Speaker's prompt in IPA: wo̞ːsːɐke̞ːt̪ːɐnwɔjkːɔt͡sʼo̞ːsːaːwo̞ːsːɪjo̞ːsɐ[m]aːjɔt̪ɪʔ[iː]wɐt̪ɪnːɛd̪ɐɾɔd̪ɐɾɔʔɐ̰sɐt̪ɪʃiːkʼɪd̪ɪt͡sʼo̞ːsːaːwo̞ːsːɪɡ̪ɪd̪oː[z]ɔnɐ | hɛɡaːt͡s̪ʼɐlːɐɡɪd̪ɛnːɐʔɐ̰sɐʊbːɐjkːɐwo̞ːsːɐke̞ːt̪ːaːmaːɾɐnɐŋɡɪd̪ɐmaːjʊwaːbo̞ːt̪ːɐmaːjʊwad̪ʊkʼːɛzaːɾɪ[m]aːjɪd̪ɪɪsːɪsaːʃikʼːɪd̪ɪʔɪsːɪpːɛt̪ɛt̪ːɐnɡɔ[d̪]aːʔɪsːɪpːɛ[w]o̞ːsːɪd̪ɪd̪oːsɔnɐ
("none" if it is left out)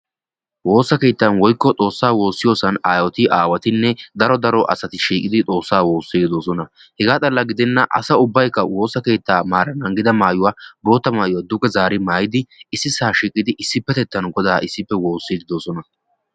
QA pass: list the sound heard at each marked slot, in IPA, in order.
n, aː, s, m, d̪, w

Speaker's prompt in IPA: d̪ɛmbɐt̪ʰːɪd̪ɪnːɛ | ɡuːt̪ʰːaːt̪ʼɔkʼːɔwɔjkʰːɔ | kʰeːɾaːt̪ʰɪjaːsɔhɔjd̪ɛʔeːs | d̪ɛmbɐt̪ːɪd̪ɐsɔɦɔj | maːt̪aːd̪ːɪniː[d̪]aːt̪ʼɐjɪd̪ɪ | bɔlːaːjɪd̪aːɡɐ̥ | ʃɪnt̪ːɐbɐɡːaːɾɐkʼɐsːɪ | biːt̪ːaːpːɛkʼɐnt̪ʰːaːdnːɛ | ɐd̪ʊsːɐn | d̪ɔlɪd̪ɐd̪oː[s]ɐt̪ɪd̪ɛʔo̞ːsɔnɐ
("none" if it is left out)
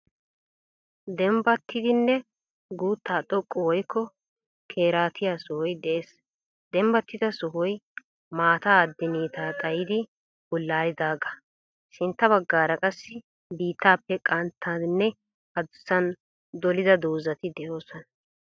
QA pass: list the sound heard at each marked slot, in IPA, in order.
t̪, z

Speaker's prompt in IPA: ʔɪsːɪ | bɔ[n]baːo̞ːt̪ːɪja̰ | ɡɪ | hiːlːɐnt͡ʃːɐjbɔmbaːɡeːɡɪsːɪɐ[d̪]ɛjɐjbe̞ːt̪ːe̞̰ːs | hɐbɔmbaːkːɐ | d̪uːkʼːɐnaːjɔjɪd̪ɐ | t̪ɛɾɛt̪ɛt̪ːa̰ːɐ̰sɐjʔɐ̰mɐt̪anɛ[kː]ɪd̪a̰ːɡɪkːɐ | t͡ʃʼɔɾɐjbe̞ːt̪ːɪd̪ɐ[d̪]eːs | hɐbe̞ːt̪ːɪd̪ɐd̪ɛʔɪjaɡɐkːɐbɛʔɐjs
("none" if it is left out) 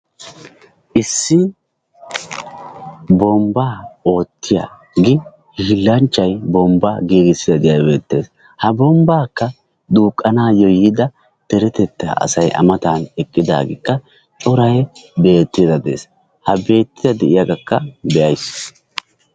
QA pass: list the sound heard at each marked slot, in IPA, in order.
m, d̪, kʼː, d̪

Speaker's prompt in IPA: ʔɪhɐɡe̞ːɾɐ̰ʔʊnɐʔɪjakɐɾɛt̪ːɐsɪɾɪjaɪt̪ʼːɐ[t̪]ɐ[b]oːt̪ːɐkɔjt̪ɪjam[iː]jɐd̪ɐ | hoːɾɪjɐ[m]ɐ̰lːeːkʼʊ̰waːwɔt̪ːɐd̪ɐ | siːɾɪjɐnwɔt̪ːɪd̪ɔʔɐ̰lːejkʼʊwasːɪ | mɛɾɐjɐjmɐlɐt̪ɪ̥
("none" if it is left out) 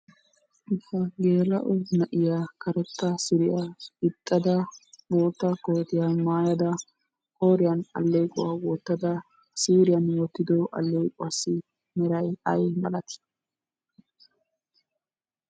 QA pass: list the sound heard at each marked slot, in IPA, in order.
d̪, b, aː, n

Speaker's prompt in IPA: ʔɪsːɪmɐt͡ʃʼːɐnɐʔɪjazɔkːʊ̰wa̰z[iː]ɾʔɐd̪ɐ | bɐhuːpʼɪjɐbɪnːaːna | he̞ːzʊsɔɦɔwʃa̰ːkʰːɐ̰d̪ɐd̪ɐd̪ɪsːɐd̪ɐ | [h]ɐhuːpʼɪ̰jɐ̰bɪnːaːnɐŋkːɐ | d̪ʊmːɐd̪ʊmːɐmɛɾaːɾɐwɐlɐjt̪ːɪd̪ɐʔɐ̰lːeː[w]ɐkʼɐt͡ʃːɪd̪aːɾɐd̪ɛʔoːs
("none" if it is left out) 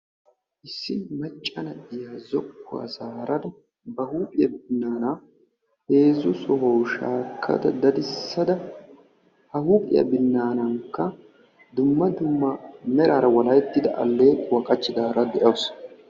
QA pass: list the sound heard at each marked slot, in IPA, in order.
aː, h, w

